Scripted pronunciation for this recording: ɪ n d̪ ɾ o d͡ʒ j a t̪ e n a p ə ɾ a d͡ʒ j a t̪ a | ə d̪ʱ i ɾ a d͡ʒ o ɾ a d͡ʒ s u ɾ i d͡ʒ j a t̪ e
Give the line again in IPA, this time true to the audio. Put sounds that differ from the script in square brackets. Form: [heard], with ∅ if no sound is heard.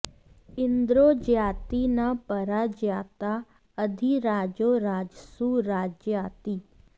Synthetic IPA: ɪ n d̪ ɾ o d͡ʒ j a t̪ [i] n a p ə ɾ a d͡ʒ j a t̪ a | ə d̪ʱ i ɾ a d͡ʒ o ɾ a d͡ʒ s u ɾ [a] d͡ʒ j a t̪ [i]

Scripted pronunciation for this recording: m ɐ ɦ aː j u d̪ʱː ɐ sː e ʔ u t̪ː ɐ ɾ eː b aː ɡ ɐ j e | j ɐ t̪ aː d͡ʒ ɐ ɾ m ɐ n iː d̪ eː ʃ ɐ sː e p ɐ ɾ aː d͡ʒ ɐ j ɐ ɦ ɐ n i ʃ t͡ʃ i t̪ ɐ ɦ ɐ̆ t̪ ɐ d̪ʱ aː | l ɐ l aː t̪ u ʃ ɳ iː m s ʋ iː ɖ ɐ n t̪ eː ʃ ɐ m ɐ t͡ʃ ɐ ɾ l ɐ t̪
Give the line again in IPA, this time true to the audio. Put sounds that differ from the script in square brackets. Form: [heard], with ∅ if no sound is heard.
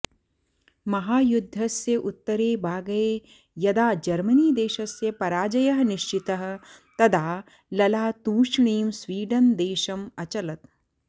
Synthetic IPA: m ɐ ɦ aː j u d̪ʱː ɐ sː e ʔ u t̪ː ɐ ɾ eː b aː ɡ ɐ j e | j ɐ [d̪] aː d͡ʒ ɐ ɾ m ɐ n iː d̪ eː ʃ ɐ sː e p ɐ ɾ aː d͡ʒ ɐ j ɐ ɦ ɐ n i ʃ t͡ʃ i t̪ ɐ ɦ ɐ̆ t̪ ɐ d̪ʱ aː | l ɐ l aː t̪ [uː] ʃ ɳ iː m s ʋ iː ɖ ɐ n [d̪] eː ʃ ɐ m ɐ t͡ʃ ɐ [∅] l ɐ t̪

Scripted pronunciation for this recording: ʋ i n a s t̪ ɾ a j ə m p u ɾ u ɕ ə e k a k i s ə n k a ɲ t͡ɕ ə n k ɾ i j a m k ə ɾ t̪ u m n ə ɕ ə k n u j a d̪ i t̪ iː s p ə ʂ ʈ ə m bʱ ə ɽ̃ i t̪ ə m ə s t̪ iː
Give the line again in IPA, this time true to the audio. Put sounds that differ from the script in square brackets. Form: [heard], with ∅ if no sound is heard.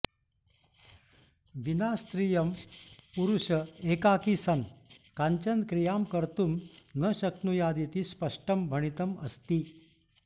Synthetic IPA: ʋ i n a s t̪ ɾ [i] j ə m p u ɾ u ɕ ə e k a k i s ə n k a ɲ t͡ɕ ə n k ɾ i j a m k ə ɾ t̪ u m n ə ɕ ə k n u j a d̪ i t̪ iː s p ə ʂ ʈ ə m bʱ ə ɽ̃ i t̪ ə m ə s t̪ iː

